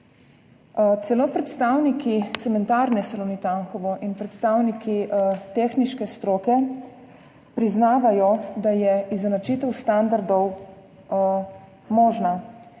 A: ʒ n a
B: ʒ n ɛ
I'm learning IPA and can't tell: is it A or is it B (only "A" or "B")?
A